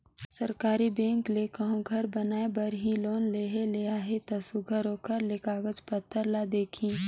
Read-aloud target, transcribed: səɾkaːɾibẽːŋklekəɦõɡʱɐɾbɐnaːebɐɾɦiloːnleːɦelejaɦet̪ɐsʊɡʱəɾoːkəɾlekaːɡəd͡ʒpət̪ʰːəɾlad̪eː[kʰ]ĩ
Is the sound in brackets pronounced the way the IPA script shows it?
yes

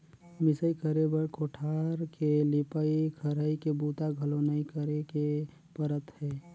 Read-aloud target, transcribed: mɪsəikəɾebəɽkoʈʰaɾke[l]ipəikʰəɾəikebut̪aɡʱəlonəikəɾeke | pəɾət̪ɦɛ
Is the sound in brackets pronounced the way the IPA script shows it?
yes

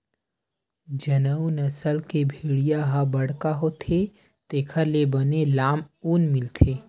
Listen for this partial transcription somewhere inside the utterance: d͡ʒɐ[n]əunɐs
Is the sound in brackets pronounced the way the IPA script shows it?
yes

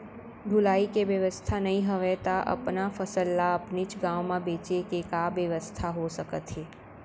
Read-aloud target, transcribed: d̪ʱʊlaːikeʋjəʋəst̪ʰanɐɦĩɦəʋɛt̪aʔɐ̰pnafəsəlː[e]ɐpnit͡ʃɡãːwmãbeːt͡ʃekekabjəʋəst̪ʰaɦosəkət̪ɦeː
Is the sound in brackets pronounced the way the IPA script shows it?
no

